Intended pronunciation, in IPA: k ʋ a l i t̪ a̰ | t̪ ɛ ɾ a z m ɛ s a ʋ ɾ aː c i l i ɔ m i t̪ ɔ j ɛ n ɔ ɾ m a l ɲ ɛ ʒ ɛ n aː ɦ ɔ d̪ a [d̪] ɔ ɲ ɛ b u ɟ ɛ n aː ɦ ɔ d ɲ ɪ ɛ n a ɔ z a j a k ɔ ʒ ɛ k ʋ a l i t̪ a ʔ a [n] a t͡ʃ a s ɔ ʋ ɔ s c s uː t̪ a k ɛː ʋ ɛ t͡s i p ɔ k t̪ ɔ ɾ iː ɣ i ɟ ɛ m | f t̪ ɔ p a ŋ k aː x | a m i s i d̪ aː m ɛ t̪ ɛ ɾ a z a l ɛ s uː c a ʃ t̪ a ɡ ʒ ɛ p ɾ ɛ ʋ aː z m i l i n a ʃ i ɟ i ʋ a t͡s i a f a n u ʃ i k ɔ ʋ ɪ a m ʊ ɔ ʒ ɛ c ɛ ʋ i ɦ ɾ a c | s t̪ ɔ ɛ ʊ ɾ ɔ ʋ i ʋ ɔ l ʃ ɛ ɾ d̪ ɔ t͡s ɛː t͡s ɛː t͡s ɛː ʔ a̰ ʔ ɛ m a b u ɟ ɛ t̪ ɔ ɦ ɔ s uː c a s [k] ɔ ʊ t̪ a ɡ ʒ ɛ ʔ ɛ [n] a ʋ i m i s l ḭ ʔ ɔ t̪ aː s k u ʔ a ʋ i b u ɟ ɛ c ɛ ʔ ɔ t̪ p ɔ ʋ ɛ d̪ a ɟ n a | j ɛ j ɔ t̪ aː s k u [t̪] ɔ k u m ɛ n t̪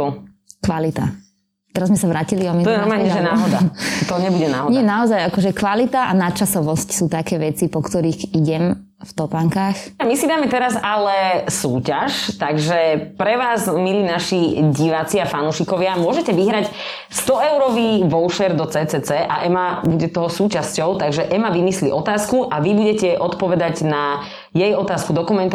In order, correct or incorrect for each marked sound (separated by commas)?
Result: incorrect, correct, incorrect, incorrect, incorrect